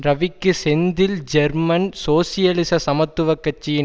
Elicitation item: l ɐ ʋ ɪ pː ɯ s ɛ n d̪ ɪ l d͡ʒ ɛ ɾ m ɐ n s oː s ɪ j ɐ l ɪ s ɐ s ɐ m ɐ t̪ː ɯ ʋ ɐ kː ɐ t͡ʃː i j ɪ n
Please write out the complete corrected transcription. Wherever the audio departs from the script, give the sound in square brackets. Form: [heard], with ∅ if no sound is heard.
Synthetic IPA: [ɾ] ɐ ʋ ɪ [kː] ɯ s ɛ n d̪ ɪ l d͡ʒ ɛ ɾ m ɐ n s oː s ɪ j ɐ l ɪ s ɐ s ɐ m ɐ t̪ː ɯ ʋ ɐ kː ɐ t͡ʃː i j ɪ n